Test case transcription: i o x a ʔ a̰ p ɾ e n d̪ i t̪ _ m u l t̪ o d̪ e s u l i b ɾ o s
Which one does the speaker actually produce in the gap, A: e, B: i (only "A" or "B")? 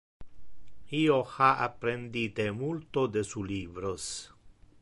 A